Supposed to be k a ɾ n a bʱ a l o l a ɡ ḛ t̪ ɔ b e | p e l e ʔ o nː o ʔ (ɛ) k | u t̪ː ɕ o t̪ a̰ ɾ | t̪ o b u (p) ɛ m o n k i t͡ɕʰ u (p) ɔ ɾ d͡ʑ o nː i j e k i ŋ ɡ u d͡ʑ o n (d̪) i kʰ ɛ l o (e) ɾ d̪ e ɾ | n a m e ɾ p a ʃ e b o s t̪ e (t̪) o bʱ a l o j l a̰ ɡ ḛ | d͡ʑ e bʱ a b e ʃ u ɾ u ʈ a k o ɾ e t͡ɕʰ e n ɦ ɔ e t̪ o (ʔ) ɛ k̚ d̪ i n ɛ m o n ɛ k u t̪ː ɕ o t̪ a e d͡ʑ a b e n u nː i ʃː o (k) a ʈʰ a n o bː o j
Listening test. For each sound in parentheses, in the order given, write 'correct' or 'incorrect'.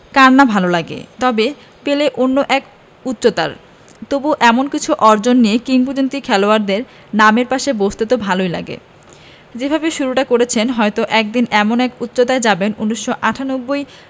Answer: correct, incorrect, incorrect, incorrect, incorrect, correct, correct, incorrect

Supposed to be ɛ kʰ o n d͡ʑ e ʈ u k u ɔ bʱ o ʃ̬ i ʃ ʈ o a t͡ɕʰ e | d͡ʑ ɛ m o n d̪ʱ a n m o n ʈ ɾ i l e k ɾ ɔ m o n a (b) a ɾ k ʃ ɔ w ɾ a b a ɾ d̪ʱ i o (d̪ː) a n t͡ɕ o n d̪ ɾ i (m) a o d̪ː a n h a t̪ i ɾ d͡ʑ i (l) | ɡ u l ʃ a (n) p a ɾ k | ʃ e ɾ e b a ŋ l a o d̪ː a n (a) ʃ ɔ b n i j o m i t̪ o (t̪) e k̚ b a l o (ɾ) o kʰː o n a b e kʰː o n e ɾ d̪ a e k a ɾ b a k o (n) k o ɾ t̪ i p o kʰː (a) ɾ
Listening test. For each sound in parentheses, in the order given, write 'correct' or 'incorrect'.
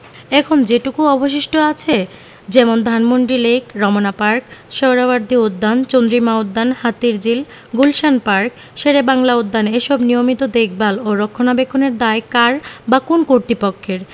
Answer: incorrect, correct, correct, correct, correct, incorrect, incorrect, correct, correct, incorrect

